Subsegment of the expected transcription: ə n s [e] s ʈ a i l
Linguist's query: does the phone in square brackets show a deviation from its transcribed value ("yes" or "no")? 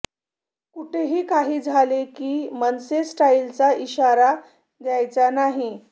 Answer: no